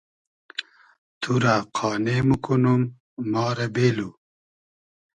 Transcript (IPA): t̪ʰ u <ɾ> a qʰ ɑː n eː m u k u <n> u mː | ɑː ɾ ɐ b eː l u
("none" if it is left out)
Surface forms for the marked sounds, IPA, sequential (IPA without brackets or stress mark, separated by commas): ɾ, n